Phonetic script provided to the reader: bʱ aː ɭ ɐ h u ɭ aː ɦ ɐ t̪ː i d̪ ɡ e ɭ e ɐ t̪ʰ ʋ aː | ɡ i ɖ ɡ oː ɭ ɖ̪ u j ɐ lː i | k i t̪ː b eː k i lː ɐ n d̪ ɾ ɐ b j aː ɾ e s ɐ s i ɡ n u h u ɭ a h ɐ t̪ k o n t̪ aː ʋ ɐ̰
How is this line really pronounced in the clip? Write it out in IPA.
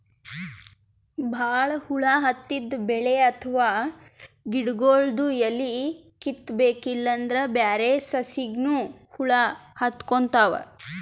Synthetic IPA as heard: bʱ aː ɭ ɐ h u ɭ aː ɦ ɐ t̪ː i d̪ b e ɭ e ɐ t̪ʰ ʋ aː | ɡ i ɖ ɡ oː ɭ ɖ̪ u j ɐ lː i | k i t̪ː b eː k i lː ɐ n d̪ ɾ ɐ b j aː ɾ e s ɐ s i ɡ n u h u ɭ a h ɐ t̪ k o n t̪ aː ʋ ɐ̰